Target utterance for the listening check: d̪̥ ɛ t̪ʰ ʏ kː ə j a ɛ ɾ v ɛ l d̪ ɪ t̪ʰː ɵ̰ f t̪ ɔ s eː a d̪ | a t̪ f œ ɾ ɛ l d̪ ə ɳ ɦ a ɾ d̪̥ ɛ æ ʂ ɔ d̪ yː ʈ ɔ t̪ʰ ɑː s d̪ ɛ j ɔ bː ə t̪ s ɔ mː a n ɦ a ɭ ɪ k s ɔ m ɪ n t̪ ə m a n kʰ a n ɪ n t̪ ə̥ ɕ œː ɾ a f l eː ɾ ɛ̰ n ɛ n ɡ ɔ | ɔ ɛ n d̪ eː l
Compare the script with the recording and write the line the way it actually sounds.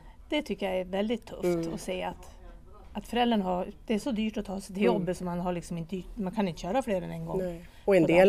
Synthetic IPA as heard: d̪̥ ɛ t̪ʰ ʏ kː ə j a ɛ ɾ v ɛ l d̪ ɪ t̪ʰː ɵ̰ f t̪ ɔ s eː a t̪ | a t̪ f œ ɾ ɛ l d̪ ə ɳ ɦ a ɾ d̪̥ ɛ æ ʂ ɔ d̪ yː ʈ ɔ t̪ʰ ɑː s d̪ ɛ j ɔ bː ə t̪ s ɔ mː a n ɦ a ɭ ɪ k s ɔ m ɪ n t̪ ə m a n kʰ a n ɪ n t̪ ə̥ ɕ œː ɾ a f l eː ɾ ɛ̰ n ɛ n ɡ ɔ | ɔ ɛ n d̪ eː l